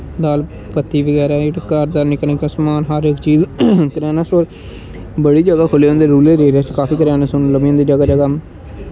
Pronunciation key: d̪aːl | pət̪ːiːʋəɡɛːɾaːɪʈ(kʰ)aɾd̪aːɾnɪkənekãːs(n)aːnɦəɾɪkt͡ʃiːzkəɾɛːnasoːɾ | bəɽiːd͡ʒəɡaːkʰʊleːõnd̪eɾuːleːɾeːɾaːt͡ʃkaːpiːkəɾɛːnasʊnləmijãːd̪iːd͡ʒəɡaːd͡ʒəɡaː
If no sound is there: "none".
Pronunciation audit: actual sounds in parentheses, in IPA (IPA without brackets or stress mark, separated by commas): k, m